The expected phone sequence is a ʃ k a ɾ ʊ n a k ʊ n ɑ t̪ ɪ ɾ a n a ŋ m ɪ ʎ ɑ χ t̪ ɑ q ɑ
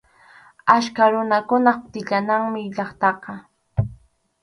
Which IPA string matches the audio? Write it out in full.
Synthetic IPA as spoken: a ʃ k a ɾ ʊ n a k ʊ n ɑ t̪ ɪ ʎ a n a ŋ m ɪ ʎ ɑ χ t̪ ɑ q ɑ